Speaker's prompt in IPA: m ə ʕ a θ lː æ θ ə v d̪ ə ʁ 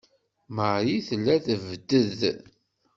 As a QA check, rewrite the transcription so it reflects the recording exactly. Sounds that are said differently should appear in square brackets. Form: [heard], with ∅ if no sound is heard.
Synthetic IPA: m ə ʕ [i] θ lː æ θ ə v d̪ ə [ð]

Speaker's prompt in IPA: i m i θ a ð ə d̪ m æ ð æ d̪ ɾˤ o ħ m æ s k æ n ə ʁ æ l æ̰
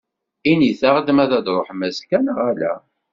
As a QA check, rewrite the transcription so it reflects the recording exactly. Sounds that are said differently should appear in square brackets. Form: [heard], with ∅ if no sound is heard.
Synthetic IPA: i [n] i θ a [ʁ] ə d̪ m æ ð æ d̪ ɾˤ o ħ m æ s k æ n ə ʁ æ l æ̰

